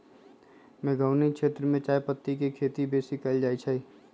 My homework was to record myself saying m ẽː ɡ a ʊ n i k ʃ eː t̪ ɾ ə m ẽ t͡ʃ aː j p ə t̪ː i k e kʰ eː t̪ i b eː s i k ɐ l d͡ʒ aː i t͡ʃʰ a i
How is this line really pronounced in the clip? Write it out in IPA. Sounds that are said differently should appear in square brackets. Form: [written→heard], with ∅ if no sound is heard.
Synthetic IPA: m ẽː ɡ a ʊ n i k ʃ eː t̪ ɾ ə m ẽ t͡ʃ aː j p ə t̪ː i k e kʰ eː t̪ i b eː s i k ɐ l d͡ʒ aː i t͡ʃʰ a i